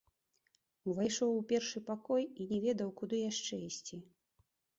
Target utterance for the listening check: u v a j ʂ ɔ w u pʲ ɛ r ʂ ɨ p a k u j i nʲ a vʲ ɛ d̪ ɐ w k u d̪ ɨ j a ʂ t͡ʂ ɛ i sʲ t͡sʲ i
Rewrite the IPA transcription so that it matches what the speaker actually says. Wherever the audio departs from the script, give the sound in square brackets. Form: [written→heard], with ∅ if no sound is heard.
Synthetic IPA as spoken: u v a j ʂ ɔ w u pʲ ɛ r ʂ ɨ p a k [u→ɔ] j i nʲ [a→ɛ] vʲ ɛ d̪ ɐ w k u d̪ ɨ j a ʂ t͡ʂ ɛ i sʲ t͡sʲ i

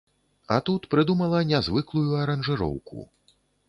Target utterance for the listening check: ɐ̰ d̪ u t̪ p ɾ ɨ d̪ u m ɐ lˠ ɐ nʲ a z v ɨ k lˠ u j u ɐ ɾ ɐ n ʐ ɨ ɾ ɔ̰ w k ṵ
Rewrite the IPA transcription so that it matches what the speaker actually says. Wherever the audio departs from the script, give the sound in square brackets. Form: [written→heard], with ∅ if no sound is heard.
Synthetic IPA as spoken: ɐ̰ [d̪→t̪] u t̪ p ɾ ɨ d̪ u m ɐ lˠ ɐ nʲ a z v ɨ k lˠ u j u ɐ ɾ ɐ n ʐ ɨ ɾ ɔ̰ w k ṵ

